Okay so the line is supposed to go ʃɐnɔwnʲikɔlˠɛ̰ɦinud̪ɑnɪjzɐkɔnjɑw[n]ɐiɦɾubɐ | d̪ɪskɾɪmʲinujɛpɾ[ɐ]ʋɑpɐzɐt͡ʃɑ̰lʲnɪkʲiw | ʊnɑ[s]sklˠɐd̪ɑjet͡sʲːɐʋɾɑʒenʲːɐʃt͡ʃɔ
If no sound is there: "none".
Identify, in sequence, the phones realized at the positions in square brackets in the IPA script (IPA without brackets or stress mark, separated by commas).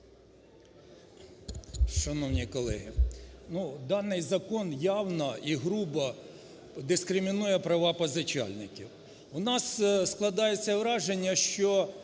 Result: n, ɐ, s